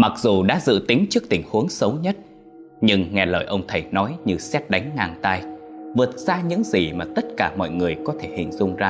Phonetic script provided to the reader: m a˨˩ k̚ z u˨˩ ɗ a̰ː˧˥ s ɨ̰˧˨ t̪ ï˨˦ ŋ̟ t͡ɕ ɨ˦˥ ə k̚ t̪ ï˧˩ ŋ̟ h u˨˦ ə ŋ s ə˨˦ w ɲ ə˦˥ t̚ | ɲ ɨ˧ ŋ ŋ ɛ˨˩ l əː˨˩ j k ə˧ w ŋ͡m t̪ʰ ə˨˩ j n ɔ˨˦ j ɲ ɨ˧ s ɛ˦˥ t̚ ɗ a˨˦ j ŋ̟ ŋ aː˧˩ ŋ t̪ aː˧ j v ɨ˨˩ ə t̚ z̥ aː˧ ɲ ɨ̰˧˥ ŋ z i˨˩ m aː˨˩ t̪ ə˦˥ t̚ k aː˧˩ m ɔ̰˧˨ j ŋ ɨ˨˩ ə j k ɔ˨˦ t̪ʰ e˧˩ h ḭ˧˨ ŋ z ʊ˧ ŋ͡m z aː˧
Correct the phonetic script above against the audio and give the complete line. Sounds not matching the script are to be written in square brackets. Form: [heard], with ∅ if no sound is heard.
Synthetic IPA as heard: m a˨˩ k̚ z u˨˩ ɗ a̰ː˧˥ [z] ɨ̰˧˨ t̪ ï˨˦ ŋ̟ t͡ɕ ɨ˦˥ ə k̚ t̪ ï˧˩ ŋ̟ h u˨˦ ə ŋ s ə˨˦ w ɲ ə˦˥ t̚ | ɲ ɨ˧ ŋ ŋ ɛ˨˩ l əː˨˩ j [ʔ] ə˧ w ŋ͡m t̪ʰ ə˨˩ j n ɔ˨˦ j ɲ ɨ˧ s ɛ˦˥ t̚ ɗ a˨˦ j ŋ̟ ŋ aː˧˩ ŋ t̪ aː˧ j v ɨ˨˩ ə t̚ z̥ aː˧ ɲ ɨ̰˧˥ ŋ z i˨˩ m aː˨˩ t̪ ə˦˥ t̚ k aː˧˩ m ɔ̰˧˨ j ŋ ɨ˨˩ ə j k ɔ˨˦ t̪ʰ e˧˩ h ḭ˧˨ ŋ z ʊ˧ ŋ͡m z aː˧